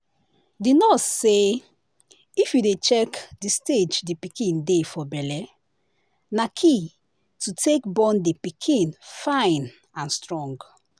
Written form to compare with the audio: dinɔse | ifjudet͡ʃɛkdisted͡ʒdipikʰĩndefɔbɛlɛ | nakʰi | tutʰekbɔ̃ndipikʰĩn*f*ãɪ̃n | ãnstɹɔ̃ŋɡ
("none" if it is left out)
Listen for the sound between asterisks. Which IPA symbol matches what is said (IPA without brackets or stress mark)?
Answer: f